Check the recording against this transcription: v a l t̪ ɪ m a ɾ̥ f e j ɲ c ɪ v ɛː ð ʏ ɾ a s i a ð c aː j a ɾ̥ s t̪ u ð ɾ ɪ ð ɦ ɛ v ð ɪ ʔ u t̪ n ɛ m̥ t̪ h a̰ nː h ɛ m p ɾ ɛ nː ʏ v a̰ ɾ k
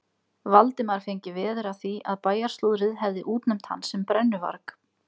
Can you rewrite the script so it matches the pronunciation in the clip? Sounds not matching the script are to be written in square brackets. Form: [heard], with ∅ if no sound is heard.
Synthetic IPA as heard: v a l t̪ ɪ m a ɾ̥ f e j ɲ c ɪ v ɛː ð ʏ ɾ a [θ] i a ð [p] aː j a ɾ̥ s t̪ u ð ɾ ɪ ð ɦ ɛ v ð ɪ ʔ [uː] t̪ n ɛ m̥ t̪ h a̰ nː [s] ɛ m p ɾ ɛ nː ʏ v a̰ ɾ k